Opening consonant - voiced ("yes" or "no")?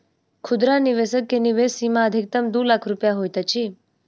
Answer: no